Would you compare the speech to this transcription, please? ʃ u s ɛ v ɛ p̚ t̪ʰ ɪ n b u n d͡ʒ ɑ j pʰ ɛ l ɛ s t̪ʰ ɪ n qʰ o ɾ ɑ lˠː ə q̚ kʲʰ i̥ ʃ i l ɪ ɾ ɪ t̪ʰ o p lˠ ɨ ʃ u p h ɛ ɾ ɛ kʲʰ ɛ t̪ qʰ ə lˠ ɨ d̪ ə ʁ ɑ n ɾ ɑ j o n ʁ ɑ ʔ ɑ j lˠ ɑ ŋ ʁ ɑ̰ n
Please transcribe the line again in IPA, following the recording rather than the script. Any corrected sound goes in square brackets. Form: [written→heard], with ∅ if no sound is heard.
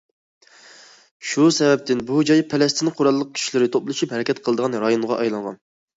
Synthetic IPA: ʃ u s ɛ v ɛ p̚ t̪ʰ ɪ n b u [n→∅] d͡ʒ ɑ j pʰ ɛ l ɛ s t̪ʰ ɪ n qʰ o ɾ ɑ lˠː ə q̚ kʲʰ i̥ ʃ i l ɪ ɾ ɪ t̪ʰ o p lˠ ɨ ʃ u p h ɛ ɾ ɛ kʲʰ ɛ t̪ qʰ ə lˠ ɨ d̪ ə ʁ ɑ n ɾ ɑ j o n ʁ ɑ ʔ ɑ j lˠ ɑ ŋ ʁ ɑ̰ n